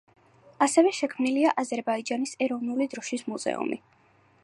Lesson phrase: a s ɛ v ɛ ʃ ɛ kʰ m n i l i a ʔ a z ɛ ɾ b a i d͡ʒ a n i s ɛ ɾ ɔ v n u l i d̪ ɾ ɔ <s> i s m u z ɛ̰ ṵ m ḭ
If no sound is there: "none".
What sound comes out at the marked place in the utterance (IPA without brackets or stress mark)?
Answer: ʃ